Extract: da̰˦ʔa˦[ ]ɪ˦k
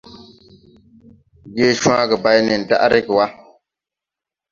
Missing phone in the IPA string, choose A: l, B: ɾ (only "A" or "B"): B